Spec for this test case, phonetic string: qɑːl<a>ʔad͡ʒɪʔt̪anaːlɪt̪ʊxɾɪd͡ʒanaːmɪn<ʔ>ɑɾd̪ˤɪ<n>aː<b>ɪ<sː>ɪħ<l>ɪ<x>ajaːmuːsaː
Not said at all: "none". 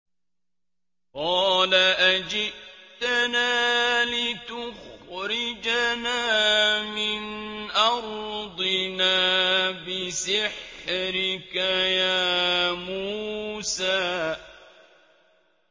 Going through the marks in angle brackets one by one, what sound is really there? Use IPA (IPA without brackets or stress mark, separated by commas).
a, ʔ, n, b, s, ɾ, k